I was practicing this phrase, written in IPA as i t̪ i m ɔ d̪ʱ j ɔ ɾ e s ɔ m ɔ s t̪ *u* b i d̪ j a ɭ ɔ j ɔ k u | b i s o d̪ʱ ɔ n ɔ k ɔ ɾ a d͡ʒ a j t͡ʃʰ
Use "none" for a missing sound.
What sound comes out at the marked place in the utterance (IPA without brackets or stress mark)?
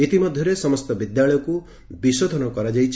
ɔ